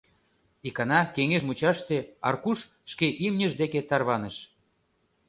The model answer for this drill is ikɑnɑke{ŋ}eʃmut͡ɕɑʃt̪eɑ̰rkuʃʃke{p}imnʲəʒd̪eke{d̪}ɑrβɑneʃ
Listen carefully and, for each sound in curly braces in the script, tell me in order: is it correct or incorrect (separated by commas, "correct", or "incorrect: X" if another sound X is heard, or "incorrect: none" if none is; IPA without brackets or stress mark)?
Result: correct, incorrect: ʔ, incorrect: t̪